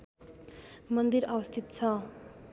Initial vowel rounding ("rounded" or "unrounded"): unrounded